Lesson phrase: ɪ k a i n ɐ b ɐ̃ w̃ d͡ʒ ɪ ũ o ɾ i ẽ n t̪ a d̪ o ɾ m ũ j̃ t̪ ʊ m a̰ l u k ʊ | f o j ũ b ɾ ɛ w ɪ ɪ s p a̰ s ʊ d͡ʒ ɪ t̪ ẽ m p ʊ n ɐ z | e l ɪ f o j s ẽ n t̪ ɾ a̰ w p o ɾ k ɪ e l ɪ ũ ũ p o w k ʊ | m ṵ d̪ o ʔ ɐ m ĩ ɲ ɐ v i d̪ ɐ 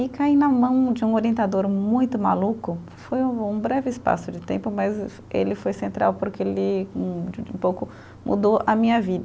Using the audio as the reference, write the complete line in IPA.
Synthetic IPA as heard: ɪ k a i n ɐ m ɐ̃ w̃ d͡ʒ ɪ ũ o ɾ i ẽ n t̪ a d̪ o ɾ m ũ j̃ t̪ ʊ m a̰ l u k ʊ | f o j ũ b ɾ ɛ v ɪ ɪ s p a̰ s ʊ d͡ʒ ɪ t̪ ẽ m p ʊ m ɐ z | e l ɪ f o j s ẽ n t̪ ɾ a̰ w p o ɾ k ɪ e l ɪ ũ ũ p o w k ʊ | m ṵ d̪ o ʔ ɐ m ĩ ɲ ɐ v i d̪ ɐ